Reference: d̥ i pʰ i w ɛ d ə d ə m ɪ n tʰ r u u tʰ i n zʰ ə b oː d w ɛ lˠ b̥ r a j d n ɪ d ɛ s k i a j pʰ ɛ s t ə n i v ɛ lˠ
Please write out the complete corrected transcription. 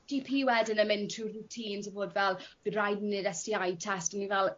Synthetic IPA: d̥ i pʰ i w ɛ d ə n ə m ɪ n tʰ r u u tʰ iː n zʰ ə b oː d v ɛ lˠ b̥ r a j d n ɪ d ɛ s t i a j tʰ ɛ s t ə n i v ɛ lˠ